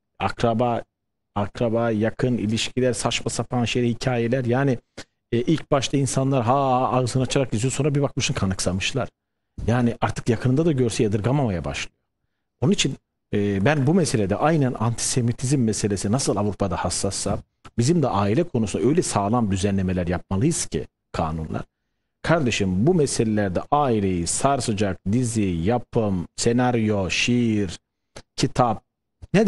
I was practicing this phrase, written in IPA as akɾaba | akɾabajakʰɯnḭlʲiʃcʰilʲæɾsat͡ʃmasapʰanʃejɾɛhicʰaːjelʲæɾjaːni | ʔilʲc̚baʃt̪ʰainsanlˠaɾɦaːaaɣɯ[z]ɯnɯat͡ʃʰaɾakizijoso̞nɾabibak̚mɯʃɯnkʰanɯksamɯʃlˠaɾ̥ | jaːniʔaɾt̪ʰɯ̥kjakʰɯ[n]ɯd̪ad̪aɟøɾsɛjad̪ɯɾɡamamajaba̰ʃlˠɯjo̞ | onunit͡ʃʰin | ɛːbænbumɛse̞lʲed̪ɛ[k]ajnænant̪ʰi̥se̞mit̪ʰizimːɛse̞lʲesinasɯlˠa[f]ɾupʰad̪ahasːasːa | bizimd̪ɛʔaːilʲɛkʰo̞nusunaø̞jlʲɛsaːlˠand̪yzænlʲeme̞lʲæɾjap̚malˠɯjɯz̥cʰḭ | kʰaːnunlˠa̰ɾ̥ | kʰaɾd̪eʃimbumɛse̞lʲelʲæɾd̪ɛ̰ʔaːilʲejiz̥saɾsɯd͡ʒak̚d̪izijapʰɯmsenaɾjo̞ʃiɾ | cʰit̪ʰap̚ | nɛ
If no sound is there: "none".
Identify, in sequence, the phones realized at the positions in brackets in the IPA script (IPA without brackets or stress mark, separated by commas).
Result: z, n, ʔ, v